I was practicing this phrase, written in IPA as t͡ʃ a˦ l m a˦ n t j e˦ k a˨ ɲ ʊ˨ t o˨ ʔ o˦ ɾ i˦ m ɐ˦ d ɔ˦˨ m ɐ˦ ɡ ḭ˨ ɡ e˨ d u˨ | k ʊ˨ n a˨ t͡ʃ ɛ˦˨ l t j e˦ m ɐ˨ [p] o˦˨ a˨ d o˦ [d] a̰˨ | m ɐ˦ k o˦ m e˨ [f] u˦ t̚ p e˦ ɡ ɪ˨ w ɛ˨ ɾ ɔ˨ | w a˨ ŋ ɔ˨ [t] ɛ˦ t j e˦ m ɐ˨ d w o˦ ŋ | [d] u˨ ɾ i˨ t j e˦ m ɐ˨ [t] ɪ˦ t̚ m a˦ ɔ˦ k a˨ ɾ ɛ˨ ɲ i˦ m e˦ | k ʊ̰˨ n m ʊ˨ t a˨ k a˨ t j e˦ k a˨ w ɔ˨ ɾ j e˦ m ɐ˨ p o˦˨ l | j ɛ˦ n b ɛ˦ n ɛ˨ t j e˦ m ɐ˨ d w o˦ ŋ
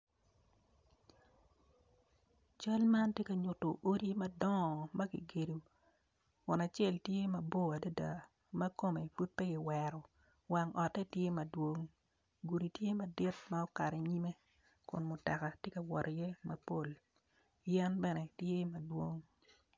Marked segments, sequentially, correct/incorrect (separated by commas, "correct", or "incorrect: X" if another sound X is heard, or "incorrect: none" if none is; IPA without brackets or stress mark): incorrect: b, correct, correct, correct, incorrect: ɡ, incorrect: d